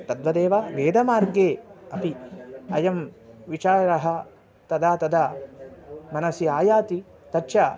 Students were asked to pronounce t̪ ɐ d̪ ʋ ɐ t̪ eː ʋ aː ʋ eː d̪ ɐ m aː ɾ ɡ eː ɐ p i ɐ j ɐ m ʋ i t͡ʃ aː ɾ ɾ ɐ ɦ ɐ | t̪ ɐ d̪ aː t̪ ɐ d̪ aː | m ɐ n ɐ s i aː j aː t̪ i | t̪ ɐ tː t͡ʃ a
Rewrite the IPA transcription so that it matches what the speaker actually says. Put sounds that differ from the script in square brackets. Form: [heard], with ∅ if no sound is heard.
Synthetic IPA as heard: t̪ ɐ d̪ ʋ ɐ [d̪] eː ʋ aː ʋ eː d̪ ɐ m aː ɾ ɡ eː ɐ p i ɐ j ɐ m ʋ i t͡ʃ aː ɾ ɾ ɐ ɦ ɐ | t̪ ɐ d̪ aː t̪ ɐ d̪ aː | m ɐ n ɐ s i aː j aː t̪ i | t̪ ɐ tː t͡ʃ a